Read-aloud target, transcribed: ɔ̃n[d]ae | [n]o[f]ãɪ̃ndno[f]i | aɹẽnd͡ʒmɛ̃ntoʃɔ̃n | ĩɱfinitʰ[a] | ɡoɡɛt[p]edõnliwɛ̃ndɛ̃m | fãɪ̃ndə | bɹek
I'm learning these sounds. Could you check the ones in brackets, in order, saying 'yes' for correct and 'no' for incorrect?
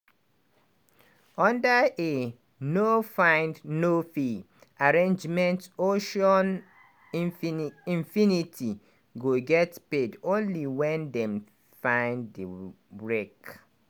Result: yes, yes, yes, yes, no, yes

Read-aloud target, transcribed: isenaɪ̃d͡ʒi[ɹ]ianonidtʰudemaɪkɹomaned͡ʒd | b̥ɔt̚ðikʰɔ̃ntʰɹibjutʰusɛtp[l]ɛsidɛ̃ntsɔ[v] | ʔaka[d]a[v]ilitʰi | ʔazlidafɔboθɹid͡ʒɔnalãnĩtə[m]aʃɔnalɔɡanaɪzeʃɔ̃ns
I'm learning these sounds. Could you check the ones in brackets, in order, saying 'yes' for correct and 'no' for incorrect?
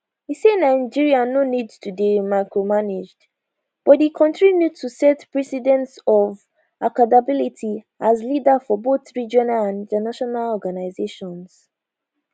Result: yes, no, yes, yes, no, no

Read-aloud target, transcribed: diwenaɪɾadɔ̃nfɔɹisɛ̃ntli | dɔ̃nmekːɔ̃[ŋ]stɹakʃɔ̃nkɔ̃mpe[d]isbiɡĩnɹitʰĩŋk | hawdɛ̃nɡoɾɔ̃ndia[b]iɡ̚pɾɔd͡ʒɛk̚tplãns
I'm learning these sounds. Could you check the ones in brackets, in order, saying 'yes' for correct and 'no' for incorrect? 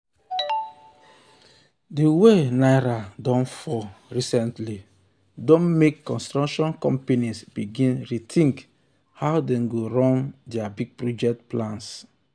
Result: no, no, yes

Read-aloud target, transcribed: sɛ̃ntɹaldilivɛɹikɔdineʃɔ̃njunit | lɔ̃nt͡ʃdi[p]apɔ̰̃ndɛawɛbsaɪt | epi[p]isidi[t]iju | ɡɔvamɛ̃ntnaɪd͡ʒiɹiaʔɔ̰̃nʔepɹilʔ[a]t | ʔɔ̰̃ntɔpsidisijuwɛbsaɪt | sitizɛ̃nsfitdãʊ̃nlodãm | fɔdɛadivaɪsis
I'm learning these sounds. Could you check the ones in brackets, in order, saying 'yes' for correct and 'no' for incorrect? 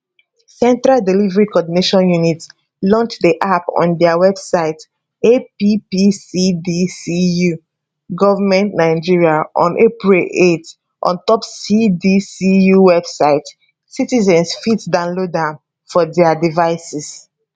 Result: no, yes, no, no

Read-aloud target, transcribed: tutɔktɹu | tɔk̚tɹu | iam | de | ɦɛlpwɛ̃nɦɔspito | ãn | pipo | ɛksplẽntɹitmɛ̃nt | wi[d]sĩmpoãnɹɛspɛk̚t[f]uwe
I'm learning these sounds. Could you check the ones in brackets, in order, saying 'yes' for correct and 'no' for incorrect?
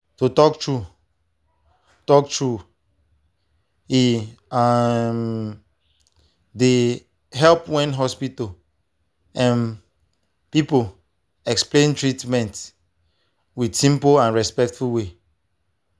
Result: yes, yes

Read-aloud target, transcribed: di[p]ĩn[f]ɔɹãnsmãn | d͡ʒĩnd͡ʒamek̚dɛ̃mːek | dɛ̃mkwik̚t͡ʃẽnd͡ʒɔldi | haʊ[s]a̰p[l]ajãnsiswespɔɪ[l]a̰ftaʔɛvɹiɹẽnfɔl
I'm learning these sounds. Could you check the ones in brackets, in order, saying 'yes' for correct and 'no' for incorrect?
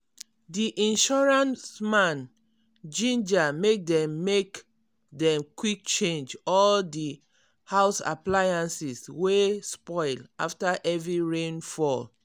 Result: no, no, yes, yes, yes

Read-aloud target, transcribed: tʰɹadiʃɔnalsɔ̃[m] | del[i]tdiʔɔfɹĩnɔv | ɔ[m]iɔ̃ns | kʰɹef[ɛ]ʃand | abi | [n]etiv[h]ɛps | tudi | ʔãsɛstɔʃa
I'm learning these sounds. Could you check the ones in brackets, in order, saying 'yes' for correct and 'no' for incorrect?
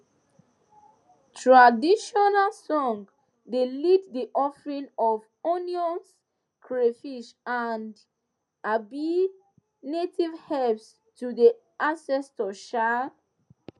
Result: no, yes, no, no, yes, yes

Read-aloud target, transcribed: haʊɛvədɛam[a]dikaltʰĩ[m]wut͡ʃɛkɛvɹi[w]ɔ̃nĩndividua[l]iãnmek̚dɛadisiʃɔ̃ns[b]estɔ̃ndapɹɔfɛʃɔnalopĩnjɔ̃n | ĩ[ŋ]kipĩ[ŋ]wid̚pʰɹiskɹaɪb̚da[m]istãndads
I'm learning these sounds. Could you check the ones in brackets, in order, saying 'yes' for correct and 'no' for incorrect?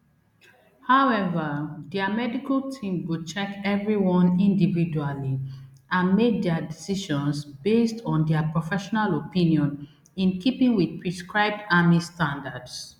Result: no, yes, yes, yes, yes, no, yes, yes

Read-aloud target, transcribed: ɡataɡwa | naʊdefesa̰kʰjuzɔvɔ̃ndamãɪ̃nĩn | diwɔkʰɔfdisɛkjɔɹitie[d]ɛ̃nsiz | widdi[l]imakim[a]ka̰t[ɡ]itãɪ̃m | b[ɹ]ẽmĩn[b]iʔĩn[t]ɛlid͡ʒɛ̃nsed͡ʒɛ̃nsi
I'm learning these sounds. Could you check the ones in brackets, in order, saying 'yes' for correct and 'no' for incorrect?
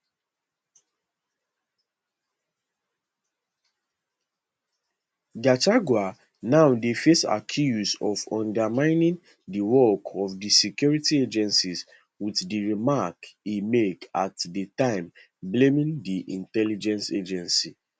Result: no, no, no, no, no, no, yes

